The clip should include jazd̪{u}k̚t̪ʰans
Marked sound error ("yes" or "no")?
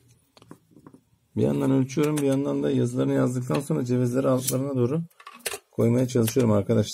yes